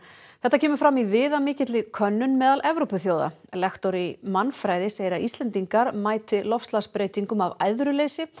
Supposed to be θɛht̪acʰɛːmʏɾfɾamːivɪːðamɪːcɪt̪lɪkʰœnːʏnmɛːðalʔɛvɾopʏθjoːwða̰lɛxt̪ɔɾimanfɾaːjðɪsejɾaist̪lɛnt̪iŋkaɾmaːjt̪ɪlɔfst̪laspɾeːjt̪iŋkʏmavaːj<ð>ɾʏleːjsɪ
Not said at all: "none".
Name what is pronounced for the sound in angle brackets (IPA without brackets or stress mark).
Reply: ð